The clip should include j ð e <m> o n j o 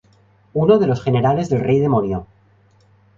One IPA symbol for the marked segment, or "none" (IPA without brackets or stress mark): m